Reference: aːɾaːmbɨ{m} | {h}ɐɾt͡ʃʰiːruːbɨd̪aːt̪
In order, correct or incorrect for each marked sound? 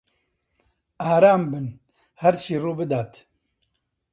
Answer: incorrect, correct

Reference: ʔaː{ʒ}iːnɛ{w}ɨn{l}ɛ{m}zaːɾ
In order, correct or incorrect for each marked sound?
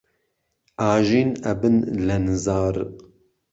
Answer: correct, incorrect, correct, incorrect

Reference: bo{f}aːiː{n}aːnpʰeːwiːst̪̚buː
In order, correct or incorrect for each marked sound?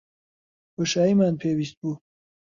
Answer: incorrect, incorrect

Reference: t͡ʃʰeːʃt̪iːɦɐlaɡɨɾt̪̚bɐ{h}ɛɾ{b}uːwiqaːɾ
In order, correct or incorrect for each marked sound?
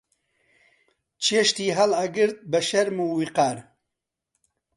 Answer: incorrect, incorrect

